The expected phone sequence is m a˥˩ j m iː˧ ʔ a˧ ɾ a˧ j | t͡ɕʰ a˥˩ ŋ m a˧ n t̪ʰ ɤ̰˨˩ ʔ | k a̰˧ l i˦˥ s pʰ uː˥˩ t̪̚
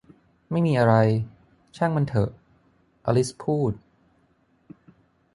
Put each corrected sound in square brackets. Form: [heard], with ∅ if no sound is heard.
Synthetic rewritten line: m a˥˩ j m iː˧ ʔ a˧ ɾ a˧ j | t͡ɕʰ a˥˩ ŋ m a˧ n t̪ʰ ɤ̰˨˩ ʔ | [ʔ] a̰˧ l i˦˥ s pʰ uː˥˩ t̪̚